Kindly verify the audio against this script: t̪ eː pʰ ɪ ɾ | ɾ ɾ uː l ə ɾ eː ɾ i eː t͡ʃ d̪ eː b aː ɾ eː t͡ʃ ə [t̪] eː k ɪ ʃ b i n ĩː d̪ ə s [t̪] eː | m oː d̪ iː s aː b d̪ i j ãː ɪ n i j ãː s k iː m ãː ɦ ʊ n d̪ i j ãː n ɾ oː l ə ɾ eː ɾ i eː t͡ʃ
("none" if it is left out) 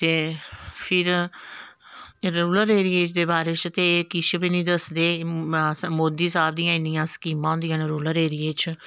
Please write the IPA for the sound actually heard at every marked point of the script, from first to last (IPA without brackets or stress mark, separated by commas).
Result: t̪, d̪